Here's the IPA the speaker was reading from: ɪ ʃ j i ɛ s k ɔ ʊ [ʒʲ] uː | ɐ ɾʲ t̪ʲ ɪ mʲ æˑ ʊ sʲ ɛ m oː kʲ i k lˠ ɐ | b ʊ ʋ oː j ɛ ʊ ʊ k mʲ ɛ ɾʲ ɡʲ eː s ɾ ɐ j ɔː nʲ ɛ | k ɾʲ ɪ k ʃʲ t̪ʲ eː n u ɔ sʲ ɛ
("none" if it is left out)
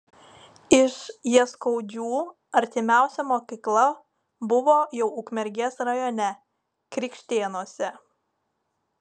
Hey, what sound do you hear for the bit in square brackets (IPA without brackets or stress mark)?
d͡ʒʲ